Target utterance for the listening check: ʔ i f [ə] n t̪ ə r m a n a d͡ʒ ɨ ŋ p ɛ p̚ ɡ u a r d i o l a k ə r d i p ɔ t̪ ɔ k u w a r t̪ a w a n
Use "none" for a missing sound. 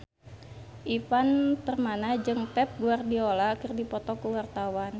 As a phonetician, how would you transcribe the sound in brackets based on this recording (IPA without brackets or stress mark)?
a